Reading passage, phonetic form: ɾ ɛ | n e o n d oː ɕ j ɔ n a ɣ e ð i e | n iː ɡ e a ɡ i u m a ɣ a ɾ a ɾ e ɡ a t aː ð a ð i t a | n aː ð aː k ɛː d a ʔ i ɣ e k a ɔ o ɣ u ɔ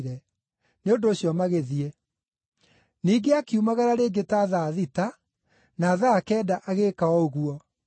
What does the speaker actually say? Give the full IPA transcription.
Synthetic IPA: ɾ ɛ | n e o n d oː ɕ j ɔ m a ɣ e ð i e | n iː ɡ e a k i u m a ɣ a ɾ a ɾ e ɡ e t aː ð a ð i t a | n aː ð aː k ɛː d a ʔ a ɣ e k a ɔ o ɣ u ɔ